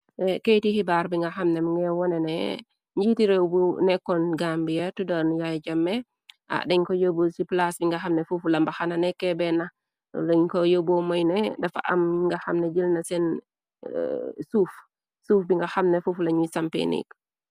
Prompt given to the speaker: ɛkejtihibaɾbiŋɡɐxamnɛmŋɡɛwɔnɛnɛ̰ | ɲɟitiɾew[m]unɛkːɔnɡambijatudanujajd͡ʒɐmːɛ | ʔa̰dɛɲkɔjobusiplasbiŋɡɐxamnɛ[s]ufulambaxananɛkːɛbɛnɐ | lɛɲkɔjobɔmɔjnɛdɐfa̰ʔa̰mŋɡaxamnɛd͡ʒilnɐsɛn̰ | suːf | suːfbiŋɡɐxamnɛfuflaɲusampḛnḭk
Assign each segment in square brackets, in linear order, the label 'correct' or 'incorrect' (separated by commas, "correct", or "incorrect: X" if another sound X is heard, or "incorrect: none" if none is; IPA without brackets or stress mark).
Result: incorrect: b, incorrect: f